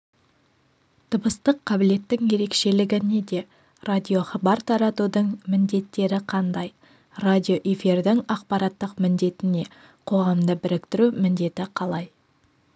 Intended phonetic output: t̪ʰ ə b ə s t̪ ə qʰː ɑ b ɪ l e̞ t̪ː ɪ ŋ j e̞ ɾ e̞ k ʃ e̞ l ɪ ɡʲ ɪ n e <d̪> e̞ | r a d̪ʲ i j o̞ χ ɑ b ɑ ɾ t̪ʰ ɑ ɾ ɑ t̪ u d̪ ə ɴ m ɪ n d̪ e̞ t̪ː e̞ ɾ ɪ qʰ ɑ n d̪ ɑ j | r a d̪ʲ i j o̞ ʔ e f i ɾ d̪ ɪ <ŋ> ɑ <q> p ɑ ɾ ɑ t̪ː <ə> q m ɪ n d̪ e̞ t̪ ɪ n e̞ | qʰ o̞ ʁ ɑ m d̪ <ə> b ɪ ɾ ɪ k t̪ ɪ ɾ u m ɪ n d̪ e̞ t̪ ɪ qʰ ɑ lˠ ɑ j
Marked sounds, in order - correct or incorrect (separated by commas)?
correct, correct, correct, correct, correct